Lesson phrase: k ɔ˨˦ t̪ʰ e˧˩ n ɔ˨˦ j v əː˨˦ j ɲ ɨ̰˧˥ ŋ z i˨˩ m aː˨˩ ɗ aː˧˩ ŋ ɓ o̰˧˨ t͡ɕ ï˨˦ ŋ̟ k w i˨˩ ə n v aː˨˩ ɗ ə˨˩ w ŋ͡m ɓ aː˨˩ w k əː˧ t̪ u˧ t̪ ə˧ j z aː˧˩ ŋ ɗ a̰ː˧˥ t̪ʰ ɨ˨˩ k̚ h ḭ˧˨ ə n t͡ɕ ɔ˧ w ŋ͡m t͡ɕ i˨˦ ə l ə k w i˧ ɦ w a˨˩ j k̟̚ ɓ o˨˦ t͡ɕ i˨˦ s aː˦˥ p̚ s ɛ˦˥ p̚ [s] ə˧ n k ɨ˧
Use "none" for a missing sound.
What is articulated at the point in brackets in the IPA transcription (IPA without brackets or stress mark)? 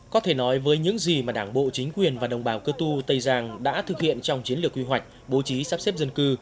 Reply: z